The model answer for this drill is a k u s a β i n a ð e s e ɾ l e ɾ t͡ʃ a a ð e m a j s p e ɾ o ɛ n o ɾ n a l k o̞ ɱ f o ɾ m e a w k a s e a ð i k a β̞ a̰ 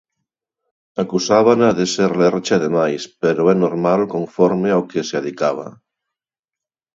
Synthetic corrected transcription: a k u s a β a n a ð e s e ɾ l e ɾ t͡ʃ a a ð e m a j s p e ɾ o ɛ n o ɾ m a l k o̞ ɱ f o ɾ m e a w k e s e a ð i k a β̞ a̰